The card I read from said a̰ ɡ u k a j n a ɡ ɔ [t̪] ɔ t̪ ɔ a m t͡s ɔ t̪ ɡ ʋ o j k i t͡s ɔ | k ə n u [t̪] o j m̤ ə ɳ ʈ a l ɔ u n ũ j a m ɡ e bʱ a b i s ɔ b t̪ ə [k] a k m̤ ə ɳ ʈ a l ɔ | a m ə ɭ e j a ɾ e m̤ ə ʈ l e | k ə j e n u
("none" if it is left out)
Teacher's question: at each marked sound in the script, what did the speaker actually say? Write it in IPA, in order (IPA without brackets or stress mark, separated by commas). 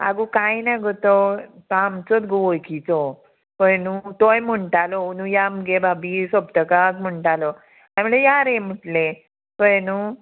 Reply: t̪, t̪, k